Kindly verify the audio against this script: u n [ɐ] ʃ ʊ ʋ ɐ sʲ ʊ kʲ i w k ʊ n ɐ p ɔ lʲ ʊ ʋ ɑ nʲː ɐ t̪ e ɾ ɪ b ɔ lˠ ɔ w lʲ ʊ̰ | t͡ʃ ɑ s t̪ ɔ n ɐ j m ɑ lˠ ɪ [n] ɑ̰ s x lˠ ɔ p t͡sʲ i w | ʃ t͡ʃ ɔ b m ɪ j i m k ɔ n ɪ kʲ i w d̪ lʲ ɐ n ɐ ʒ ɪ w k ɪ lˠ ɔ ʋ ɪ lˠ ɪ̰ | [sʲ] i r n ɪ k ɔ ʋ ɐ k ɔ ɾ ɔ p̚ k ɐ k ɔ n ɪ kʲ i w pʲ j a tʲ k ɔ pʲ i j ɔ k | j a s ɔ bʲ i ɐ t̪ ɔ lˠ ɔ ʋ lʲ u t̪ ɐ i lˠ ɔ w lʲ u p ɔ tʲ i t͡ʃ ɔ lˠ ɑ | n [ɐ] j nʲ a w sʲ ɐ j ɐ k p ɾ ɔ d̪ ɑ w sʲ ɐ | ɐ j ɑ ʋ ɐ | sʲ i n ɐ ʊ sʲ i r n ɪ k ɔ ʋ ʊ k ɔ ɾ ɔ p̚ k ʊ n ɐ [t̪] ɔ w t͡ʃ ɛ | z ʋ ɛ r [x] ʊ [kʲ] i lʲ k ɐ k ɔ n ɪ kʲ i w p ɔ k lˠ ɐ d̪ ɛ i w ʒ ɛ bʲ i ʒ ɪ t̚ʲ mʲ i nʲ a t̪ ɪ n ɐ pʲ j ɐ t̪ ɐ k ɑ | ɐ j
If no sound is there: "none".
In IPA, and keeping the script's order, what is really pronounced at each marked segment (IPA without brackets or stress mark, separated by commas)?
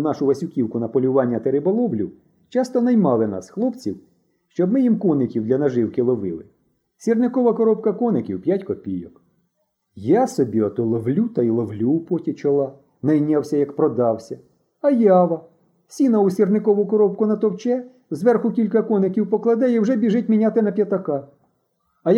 ɑ, n, sʲ, ɐ, t̪, x, kʲ